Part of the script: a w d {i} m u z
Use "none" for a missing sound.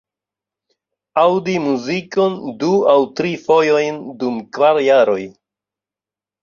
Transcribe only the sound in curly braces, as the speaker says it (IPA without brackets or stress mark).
i